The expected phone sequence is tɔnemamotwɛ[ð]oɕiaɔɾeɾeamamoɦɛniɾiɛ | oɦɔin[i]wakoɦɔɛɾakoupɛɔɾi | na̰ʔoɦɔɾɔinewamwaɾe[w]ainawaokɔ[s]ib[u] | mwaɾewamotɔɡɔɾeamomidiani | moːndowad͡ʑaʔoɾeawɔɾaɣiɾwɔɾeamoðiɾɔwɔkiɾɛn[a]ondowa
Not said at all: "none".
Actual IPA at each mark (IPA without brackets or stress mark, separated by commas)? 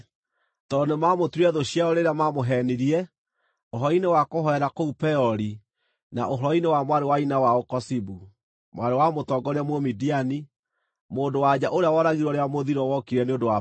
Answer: ð, e, w, s, u, e